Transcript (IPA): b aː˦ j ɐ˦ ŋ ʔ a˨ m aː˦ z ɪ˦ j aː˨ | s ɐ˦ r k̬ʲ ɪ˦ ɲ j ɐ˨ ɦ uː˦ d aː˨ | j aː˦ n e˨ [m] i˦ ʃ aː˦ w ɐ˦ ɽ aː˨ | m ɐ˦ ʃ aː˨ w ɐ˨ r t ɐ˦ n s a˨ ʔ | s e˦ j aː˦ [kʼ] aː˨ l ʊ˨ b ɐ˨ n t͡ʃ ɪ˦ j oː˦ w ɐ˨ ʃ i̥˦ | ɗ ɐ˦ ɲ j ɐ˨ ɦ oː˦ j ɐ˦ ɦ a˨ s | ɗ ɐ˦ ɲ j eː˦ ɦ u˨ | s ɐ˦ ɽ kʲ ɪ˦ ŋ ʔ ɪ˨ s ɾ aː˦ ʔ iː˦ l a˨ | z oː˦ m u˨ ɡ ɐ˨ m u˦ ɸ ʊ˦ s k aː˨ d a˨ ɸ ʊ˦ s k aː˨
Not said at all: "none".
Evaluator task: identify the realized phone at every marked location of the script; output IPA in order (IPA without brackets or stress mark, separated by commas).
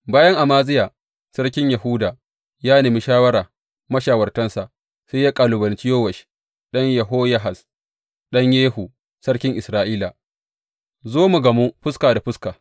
m, kʼ